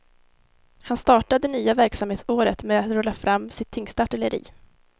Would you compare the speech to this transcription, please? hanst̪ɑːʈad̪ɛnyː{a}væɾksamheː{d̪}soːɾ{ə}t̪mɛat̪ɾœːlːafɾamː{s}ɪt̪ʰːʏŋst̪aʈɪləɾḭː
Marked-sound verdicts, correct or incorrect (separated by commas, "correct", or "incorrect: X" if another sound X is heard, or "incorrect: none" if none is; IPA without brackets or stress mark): correct, incorrect: t̪, correct, correct